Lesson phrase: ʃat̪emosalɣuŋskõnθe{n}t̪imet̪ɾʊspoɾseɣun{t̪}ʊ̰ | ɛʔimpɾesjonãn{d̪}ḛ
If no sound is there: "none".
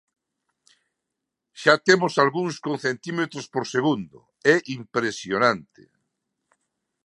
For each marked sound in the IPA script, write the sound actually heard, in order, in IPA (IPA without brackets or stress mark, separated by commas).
n, d̪, t̪